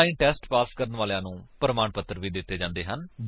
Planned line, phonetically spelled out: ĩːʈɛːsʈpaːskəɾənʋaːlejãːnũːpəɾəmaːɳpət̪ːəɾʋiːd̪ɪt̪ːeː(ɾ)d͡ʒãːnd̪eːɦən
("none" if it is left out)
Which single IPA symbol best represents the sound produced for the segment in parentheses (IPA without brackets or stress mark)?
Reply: none